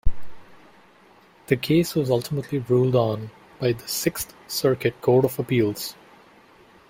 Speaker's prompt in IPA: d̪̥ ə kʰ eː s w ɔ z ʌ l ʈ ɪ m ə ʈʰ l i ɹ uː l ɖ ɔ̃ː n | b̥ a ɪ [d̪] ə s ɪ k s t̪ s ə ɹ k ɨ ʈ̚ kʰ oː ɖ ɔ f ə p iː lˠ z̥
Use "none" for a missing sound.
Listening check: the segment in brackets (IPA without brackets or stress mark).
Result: d̪